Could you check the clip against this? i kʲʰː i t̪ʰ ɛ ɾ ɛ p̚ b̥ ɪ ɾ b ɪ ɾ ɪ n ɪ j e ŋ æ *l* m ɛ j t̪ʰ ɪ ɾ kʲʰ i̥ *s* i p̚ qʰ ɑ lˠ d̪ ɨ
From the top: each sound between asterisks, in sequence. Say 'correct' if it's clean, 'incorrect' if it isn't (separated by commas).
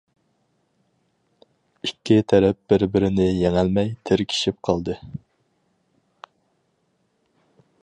correct, incorrect